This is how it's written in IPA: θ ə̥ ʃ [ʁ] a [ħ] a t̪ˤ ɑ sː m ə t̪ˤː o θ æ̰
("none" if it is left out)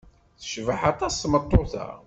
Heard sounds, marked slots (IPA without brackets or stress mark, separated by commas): v, ħ